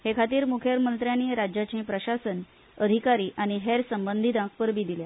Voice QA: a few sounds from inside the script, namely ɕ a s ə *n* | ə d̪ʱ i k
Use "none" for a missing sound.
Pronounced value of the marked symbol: n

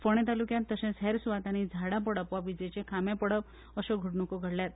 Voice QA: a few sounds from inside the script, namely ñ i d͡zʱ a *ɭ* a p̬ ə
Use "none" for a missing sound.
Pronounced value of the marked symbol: ɽ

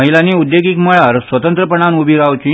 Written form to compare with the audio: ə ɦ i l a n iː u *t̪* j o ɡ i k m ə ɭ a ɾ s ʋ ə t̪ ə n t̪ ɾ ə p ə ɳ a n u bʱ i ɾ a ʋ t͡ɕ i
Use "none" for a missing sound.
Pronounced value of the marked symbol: d̪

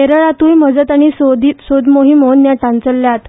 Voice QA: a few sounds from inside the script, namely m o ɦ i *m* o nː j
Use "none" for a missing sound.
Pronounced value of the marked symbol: m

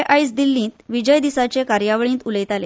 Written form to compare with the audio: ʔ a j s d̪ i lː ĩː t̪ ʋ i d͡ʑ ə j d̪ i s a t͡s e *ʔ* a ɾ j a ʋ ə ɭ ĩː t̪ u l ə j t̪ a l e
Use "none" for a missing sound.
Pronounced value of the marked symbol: k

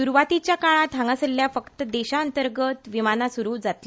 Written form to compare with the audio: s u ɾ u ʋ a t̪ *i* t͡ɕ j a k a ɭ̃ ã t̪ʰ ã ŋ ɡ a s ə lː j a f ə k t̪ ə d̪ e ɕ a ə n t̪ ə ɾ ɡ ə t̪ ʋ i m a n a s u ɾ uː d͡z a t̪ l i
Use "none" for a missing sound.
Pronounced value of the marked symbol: i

